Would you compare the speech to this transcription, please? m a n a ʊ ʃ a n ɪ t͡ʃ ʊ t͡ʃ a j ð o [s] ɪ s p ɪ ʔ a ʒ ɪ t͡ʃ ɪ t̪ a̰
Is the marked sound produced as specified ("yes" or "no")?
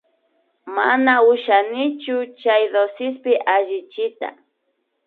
yes